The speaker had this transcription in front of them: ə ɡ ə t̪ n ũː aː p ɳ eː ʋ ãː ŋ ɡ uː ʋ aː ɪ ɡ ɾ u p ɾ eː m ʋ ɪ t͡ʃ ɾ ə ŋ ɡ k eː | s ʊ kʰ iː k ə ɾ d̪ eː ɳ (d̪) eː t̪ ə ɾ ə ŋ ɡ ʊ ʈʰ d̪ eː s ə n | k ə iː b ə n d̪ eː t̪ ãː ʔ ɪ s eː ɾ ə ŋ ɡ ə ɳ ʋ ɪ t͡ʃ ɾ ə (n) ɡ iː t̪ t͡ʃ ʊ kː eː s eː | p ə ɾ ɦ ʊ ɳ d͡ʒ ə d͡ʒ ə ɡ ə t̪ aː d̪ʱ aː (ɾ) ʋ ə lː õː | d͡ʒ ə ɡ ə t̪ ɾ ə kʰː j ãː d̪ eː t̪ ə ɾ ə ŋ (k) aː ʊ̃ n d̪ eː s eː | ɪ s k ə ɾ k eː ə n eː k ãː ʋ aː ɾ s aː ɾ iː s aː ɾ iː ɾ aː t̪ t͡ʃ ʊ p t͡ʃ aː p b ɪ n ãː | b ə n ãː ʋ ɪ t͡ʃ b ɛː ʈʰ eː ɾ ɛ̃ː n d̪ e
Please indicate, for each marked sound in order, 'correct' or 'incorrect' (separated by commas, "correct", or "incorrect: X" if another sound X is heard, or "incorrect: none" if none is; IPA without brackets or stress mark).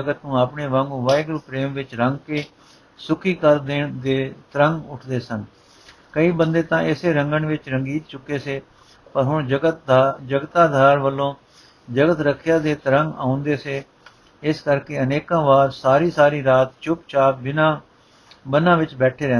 correct, incorrect: ŋ, correct, incorrect: ɡ